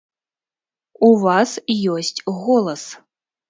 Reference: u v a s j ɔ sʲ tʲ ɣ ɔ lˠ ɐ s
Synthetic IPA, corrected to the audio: u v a s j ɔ sʲ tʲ ɣ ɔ lˠ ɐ s